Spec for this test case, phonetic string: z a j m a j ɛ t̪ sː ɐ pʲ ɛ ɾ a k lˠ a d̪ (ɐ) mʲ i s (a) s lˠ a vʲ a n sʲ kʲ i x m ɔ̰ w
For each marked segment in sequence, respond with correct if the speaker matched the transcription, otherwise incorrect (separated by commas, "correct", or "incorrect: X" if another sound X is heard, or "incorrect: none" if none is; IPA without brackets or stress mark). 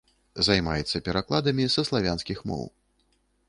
correct, incorrect: ɐ